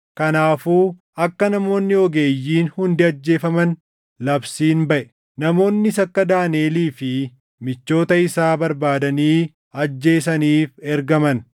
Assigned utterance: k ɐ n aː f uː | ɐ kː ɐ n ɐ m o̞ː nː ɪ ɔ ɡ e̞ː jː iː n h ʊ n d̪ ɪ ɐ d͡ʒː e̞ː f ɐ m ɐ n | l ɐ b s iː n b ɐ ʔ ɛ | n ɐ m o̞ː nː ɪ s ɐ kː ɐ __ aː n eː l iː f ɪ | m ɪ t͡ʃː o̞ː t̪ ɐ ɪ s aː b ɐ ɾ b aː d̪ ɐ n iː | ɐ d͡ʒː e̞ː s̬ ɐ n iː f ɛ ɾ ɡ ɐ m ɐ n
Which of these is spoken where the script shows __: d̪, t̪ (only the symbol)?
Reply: d̪